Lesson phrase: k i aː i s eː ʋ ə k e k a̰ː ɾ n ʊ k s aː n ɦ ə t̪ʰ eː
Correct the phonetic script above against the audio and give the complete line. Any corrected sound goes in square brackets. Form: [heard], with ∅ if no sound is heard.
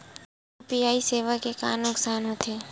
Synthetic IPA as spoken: [p] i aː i s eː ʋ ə k e k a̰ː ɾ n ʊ k s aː n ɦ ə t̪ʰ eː